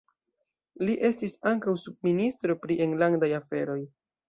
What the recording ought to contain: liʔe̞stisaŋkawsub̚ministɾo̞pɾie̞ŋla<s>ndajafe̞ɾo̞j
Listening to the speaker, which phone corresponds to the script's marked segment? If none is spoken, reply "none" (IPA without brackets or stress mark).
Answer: none